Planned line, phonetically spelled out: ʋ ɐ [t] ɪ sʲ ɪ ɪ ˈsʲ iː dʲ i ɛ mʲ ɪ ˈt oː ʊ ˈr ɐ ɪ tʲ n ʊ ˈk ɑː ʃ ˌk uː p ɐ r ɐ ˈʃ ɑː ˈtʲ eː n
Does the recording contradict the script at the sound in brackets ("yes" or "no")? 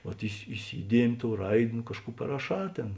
no